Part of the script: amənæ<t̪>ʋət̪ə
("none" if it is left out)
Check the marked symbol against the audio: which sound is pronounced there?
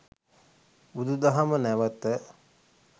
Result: none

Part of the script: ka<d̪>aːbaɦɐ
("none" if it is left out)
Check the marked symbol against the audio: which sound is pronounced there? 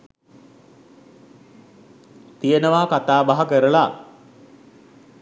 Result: t̪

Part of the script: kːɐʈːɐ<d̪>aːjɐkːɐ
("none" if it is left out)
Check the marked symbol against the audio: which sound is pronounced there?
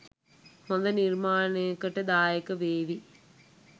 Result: d̪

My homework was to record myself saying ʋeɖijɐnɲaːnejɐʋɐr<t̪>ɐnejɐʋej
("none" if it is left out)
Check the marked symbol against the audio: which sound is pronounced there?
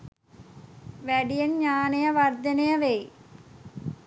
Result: d̪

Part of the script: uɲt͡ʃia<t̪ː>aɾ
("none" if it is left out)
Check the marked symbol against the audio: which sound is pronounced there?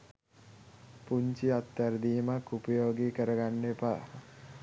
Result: t̪ː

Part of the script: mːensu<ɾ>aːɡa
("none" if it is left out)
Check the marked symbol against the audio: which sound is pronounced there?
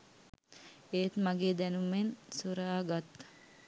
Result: ɾ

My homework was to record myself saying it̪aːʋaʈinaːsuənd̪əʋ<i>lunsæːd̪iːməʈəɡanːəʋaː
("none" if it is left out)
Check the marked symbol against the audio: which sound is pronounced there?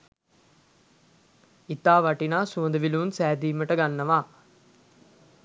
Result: i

